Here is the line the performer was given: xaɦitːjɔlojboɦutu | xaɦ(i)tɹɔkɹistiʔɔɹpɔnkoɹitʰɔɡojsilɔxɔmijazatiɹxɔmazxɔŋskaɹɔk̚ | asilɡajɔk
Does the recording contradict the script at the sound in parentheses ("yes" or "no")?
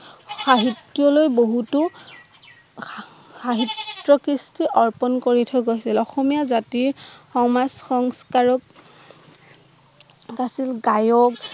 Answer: no